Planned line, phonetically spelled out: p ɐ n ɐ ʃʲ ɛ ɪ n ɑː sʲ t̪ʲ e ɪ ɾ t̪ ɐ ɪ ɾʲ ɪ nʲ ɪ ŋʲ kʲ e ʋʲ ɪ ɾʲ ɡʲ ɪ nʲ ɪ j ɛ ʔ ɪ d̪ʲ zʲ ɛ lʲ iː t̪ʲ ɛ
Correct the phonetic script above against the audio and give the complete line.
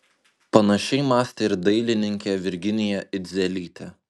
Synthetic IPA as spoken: p ɐ n ɐ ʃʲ ɛ ɪ m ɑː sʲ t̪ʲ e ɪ ɾ d̪ ɐ ɪ lʲ ɪ nʲ ɪ ŋʲ kʲ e ʋʲ ɪ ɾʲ ɡʲ ɪ nʲ ɪ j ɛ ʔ ɪ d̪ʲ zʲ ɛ lʲ iː t̪ʲ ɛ